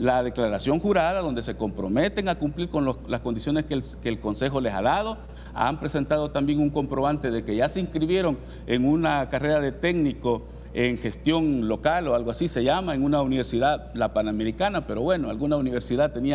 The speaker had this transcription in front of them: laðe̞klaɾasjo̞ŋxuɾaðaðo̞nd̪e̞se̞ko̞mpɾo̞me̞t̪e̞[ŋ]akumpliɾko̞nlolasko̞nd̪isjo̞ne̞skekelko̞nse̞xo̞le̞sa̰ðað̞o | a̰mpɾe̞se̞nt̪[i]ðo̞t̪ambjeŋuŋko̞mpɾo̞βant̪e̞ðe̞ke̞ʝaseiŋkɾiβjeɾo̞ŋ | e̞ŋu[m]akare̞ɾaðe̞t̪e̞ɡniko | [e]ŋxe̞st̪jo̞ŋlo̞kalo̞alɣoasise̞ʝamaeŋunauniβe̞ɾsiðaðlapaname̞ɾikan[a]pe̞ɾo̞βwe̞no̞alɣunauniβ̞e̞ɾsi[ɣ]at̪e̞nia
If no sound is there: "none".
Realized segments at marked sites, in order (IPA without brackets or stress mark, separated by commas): ŋ, a, n, e, a, ð